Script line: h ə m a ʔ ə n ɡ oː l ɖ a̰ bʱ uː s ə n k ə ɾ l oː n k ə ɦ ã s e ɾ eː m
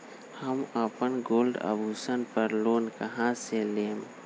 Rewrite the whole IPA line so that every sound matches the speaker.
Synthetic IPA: h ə m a p ə n ɡ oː l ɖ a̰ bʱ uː s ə n p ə ɾ l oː n k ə ɦ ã s e l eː m